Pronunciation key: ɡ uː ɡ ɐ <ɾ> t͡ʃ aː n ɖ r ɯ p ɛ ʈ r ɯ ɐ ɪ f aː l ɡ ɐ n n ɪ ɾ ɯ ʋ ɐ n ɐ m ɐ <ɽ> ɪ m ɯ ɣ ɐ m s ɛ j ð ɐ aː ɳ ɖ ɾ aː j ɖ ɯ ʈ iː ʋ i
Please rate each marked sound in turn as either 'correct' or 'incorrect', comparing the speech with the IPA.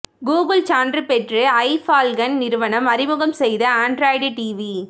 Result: incorrect, incorrect

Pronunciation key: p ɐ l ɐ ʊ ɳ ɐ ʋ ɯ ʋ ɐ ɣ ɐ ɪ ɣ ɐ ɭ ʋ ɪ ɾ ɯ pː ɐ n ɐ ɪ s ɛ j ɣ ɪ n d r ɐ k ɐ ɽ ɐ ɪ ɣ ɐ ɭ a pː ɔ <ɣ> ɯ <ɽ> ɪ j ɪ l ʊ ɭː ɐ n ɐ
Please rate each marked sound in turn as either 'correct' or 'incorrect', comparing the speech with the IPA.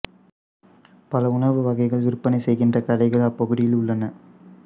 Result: correct, correct

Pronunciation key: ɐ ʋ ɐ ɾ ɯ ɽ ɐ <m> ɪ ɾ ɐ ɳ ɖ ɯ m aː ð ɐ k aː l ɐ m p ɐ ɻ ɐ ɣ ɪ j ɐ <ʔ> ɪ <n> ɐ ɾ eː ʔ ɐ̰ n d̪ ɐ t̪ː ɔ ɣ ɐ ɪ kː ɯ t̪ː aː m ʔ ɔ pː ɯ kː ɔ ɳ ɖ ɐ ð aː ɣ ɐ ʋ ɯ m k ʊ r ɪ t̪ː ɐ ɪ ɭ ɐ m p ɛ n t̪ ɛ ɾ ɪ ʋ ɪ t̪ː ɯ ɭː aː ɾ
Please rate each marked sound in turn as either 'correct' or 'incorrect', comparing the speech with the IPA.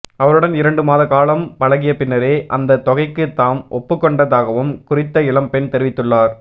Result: incorrect, incorrect, incorrect

